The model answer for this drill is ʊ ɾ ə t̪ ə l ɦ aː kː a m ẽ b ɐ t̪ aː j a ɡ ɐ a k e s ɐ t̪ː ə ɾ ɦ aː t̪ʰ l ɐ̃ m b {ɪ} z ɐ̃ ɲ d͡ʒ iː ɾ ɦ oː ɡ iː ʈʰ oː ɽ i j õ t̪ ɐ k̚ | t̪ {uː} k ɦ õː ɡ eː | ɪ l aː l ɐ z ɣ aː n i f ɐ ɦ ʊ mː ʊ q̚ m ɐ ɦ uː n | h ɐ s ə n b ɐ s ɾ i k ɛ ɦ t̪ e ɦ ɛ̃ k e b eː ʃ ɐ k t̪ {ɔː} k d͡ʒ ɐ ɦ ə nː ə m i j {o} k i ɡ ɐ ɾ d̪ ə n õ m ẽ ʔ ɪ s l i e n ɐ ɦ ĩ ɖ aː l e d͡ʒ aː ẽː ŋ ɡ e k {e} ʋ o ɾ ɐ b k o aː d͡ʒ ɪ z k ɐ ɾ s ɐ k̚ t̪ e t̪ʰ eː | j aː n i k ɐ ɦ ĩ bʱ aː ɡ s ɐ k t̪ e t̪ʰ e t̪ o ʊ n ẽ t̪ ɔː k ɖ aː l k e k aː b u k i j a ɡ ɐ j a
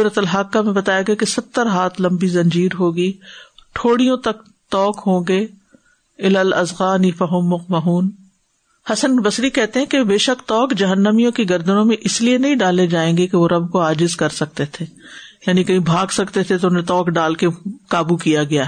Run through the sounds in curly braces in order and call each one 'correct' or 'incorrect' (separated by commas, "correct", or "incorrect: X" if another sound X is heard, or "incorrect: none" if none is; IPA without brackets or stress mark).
incorrect: i, incorrect: ɔː, correct, incorrect: õ, correct